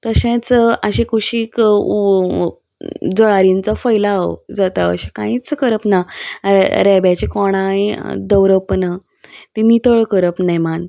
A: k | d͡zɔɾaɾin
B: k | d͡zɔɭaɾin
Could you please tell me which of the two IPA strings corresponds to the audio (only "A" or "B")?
B